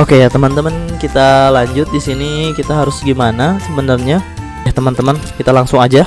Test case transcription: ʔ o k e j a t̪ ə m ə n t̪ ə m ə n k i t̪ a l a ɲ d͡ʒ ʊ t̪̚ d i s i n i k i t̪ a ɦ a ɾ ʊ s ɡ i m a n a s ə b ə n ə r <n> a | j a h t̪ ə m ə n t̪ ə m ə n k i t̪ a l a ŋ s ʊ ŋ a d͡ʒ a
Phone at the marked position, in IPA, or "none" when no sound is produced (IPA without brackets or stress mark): ɲ